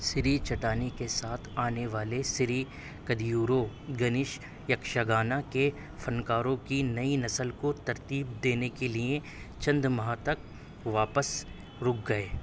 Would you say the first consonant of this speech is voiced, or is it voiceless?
voiceless